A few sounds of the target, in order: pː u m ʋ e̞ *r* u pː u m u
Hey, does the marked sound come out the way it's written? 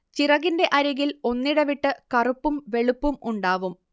no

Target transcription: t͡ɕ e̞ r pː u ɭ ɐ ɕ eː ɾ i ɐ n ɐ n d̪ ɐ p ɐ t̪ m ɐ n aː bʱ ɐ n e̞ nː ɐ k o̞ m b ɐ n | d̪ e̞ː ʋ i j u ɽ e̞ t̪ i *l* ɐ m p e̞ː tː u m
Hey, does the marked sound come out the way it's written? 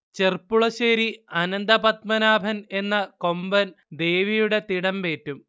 no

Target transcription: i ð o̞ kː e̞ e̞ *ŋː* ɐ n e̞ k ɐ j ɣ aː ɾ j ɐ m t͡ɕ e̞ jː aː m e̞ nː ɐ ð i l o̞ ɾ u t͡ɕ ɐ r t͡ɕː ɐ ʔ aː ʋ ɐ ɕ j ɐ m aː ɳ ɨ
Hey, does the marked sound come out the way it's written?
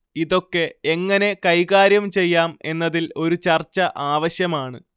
yes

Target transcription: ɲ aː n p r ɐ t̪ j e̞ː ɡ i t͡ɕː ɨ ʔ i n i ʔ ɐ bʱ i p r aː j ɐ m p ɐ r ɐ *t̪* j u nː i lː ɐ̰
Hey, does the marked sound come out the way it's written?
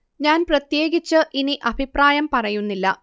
no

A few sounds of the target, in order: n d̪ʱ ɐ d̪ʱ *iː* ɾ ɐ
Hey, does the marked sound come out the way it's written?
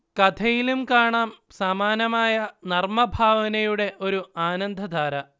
no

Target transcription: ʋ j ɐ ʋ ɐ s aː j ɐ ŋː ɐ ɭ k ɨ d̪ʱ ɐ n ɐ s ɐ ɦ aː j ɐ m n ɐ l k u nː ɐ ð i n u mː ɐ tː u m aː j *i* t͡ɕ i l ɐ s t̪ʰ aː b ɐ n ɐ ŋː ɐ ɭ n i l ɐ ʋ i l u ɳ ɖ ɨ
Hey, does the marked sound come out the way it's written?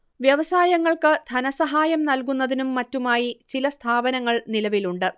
yes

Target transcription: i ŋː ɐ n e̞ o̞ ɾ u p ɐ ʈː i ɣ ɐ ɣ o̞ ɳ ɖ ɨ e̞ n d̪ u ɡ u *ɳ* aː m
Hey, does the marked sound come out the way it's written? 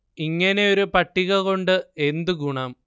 yes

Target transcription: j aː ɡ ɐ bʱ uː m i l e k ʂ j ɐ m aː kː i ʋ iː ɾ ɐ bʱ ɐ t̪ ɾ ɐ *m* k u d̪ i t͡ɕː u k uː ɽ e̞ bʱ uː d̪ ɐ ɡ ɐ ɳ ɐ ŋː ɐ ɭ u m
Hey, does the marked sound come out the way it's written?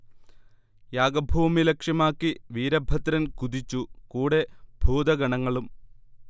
no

